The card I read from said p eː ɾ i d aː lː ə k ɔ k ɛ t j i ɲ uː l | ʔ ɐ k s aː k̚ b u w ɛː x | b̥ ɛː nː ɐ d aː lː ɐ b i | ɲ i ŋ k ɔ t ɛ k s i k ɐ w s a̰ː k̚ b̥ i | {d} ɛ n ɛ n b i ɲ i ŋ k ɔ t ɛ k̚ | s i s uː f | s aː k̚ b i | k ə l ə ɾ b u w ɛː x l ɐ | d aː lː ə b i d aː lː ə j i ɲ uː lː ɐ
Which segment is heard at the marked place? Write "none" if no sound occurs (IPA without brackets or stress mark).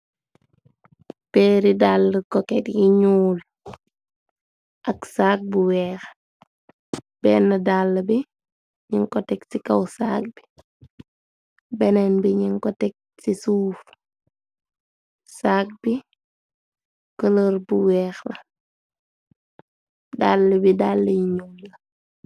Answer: b